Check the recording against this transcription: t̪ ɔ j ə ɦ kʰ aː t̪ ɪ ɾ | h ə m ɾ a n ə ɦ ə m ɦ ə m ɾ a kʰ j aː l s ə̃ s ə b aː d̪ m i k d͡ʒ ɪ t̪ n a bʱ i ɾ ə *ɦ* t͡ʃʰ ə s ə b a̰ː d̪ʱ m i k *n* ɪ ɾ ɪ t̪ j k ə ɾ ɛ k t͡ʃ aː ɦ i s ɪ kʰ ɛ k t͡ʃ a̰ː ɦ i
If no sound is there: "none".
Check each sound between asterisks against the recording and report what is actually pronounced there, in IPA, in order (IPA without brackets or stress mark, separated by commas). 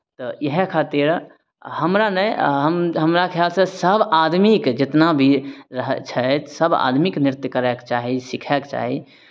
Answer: ɦ, n